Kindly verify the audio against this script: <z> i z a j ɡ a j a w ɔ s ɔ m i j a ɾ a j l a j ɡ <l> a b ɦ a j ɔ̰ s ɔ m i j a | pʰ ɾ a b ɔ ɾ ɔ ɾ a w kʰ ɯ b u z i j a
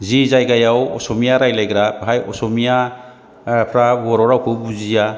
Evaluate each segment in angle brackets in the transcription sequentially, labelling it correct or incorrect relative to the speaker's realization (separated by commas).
correct, incorrect